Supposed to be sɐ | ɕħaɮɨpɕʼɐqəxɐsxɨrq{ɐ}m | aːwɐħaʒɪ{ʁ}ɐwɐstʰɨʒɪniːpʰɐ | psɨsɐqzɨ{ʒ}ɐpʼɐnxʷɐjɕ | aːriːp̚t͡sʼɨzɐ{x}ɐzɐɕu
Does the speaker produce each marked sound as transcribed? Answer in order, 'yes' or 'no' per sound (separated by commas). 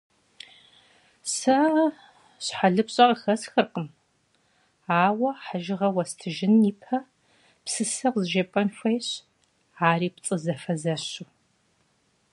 no, yes, yes, no